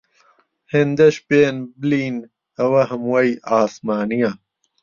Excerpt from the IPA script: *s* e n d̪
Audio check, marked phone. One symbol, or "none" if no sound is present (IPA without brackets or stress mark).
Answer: h